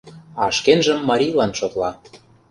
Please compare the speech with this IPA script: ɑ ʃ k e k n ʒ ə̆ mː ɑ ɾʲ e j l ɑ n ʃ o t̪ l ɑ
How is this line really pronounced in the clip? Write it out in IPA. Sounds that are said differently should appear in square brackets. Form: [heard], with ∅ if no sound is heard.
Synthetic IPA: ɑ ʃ k e [∅] n ʒ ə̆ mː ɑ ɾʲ [i] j l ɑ n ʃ o t̪ l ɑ